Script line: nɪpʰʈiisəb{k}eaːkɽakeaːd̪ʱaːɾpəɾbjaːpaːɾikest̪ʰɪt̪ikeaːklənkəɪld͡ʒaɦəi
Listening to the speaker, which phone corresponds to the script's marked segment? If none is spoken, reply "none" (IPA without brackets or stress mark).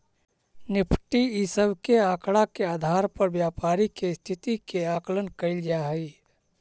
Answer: k